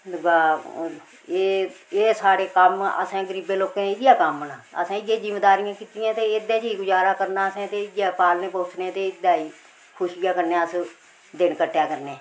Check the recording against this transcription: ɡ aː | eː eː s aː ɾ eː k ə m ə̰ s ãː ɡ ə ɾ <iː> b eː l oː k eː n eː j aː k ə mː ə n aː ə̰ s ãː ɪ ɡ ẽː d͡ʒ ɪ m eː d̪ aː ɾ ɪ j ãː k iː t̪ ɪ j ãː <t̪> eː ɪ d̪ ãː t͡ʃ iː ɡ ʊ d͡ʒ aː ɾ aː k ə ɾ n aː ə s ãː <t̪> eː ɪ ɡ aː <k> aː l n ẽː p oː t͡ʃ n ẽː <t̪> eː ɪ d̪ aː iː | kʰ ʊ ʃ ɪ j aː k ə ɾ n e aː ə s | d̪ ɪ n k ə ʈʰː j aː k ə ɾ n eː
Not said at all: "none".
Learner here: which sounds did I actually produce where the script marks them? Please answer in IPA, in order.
iː, t̪, t̪, p, t̪

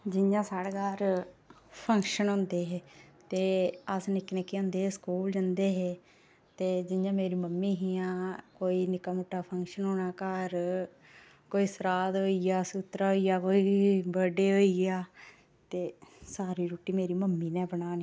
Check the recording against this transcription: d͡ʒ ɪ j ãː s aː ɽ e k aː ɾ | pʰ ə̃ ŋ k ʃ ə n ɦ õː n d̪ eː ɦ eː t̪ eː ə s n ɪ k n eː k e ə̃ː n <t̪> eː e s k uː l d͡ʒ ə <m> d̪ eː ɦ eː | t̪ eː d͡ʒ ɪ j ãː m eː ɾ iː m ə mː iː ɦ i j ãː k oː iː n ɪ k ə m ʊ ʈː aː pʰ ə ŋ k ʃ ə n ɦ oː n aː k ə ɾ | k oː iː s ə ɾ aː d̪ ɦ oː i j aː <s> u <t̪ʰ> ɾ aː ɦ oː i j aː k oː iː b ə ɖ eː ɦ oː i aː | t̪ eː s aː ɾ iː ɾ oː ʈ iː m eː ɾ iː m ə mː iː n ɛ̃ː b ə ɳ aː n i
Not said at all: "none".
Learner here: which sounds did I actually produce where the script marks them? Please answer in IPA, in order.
d̪, n, s, t̪

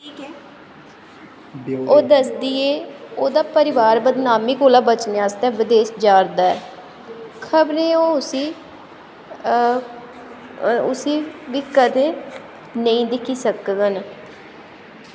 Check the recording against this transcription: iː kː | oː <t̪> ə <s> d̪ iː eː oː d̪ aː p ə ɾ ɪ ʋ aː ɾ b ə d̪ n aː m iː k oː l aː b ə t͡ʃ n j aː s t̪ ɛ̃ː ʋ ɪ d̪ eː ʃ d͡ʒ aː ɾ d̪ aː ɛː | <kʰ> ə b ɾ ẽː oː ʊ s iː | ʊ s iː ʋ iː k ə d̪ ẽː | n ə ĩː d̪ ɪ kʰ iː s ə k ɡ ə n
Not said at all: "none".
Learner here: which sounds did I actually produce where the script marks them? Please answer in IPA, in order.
d̪, s, kʰ

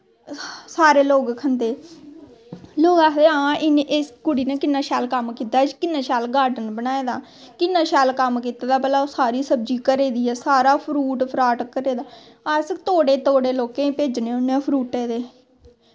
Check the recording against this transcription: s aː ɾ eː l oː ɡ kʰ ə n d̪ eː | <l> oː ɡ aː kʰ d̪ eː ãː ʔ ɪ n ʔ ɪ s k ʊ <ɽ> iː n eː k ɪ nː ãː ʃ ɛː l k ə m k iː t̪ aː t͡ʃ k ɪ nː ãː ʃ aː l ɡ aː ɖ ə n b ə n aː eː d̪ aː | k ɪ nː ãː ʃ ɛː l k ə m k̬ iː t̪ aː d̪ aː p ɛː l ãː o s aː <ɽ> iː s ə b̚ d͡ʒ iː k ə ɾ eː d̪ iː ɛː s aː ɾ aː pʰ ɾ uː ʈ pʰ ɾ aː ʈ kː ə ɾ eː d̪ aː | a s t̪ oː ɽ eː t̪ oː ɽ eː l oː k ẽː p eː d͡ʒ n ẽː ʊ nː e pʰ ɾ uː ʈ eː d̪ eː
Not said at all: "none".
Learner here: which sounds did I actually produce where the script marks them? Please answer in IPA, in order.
l, ɽ, ɾ

